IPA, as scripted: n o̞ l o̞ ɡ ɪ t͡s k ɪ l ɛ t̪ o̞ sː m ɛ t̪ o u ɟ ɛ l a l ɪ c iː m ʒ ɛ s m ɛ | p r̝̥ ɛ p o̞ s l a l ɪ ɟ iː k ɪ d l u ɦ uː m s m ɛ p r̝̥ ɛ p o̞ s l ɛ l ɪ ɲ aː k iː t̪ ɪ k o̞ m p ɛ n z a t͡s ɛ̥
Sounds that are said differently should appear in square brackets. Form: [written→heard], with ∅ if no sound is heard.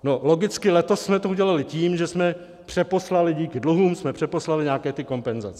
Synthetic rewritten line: n o̞ l o̞ ɡ ɪ t͡s k ɪ l ɛ t̪ o̞ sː m ɛ t̪ o u ɟ ɛ l a l ɪ c iː m ʒ ɛ s m ɛ | p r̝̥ ɛ p o̞ s l a l ɪ ɟ iː k ɪ d l u ɦ uː m s m ɛ p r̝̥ ɛ p o̞ s l [ɛ→a] l ɪ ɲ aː k [iː→ɛː] t̪ ɪ k o̞ m p ɛ n z a t͡s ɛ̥